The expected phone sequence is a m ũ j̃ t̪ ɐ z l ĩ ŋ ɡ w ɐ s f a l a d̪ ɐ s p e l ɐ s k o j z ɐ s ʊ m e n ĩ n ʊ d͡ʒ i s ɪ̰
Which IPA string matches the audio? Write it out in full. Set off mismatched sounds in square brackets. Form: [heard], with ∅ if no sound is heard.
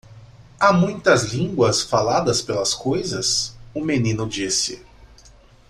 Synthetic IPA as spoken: a m ũ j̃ t̪ ɐ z l ĩ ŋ ɡ w ɐ s f a l a d̪ ɐ s p e l ɐ s k o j z ɐ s ʊ m e n ĩ n ʊ d͡ʒ i s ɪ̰